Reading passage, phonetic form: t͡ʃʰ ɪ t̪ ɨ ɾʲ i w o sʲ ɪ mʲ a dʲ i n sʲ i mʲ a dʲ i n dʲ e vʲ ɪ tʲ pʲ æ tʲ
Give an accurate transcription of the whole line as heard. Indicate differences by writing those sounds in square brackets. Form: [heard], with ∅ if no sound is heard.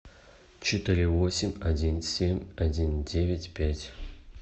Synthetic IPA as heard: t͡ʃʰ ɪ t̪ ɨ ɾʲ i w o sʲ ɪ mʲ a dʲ i n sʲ [e] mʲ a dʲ i n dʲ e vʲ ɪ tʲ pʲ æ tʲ